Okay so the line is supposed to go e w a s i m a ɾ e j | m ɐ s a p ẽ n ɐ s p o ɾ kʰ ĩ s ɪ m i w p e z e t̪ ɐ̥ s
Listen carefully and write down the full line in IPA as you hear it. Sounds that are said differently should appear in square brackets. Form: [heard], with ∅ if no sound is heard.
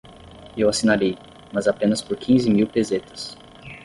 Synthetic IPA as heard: e w a s i [n] a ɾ e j | m ɐ [z] a p ẽ n ɐ s p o ɾ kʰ ĩ [z] ɪ m i w p e z e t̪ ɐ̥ s